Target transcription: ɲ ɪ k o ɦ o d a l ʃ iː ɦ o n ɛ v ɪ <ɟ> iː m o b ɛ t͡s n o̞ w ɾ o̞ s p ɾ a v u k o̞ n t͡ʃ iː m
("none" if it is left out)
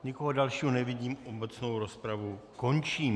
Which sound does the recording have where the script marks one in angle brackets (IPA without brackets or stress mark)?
ɟ